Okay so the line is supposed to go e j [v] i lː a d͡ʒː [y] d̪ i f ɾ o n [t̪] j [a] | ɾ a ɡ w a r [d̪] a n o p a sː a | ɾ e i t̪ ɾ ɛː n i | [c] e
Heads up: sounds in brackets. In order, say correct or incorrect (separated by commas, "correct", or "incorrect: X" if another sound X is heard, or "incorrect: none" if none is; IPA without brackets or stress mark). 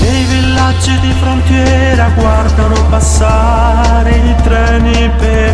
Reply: correct, incorrect: i, correct, incorrect: ɛ, correct, incorrect: p